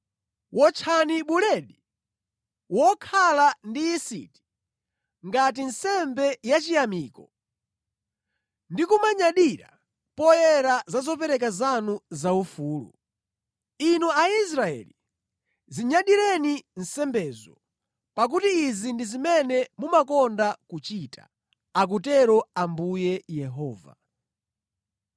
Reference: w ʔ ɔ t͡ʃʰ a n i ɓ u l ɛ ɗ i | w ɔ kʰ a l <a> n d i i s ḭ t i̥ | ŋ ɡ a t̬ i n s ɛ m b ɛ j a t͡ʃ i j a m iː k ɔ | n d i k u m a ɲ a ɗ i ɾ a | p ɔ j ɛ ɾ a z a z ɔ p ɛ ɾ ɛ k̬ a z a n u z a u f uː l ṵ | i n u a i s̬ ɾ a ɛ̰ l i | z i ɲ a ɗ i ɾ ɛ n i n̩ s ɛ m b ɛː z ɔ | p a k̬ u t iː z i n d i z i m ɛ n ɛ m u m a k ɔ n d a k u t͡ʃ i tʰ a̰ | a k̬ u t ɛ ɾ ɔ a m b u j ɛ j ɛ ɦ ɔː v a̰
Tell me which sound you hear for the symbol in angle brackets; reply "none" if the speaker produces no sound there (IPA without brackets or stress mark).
a